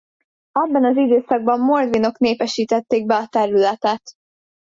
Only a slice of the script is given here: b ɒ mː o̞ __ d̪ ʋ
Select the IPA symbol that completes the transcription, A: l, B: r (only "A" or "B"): B